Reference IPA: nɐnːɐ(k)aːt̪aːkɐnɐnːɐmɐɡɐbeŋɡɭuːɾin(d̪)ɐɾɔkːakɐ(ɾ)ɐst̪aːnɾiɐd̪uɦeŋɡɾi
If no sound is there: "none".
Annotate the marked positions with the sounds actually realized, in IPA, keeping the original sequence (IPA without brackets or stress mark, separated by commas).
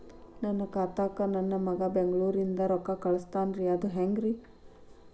k, d̪, ɭ